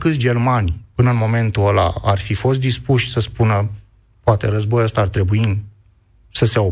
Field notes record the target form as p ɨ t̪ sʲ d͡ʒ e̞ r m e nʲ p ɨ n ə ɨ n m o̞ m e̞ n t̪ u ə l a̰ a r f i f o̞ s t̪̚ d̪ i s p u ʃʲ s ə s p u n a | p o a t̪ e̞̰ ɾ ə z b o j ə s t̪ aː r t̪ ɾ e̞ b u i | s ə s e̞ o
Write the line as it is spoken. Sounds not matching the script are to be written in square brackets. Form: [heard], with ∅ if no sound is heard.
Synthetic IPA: [k] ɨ t̪ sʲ d͡ʒ e̞ r m [a] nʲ p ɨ n ə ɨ n m o̞ m e̞ n t̪ u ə l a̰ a r f i f o̞ s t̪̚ d̪ i s p u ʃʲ s ə s p u n [ə] | p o a t̪ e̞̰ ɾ ə z b o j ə s t̪ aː r t̪ ɾ e̞ b u i | s ə s e̞ o